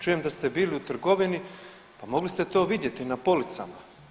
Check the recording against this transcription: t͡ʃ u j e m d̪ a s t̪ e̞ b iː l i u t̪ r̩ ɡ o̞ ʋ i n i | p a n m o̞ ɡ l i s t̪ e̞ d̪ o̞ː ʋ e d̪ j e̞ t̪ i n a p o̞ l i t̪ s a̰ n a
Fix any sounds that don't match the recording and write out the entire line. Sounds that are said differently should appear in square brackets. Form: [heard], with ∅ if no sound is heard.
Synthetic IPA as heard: t͡ʃ u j e m d̪ a s t̪ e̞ b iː l i u t̪ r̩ ɡ o̞ ʋ i n i | p a [∅] m o̞ ɡ l i s t̪ e̞ [t̪] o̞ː ʋ [i] d̪ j e̞ t̪ i n a p o̞ l i t̪ s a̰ [m] a